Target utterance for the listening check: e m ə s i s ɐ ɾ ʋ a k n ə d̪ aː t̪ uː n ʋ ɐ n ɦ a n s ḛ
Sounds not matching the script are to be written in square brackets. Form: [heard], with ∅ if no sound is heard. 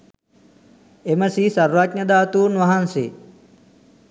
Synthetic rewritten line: e m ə s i s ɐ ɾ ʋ a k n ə d̪ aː t̪ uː n ʋ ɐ [∅] ɦ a n s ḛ

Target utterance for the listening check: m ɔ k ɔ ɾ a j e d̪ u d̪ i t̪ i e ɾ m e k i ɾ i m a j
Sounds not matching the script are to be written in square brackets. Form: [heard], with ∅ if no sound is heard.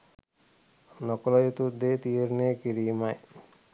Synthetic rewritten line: [n] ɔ k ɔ [l] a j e [t̪] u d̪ [e] t̪ i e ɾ [n] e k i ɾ i m a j

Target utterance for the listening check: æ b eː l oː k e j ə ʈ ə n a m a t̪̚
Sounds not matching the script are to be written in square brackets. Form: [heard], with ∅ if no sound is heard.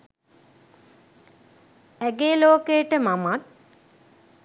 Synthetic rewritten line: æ [ɡ] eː l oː k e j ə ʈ ə [m] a m a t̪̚

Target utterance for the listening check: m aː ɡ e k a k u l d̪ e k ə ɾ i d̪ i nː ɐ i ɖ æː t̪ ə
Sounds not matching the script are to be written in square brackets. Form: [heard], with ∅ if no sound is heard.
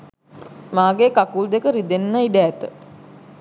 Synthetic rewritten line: m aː ɡ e k a k u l d̪ e k ə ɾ i d̪ [e] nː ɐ i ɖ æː t̪ ə

